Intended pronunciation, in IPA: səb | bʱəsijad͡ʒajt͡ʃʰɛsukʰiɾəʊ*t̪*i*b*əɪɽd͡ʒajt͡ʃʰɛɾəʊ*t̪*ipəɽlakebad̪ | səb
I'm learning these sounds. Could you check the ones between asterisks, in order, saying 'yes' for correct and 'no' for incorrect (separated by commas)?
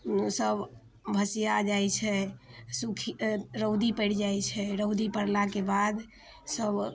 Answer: no, no, no